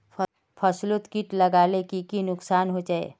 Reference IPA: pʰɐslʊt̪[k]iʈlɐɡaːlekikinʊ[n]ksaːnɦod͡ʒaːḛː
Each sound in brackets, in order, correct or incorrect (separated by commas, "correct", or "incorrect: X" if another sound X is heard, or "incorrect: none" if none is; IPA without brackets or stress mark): correct, incorrect: none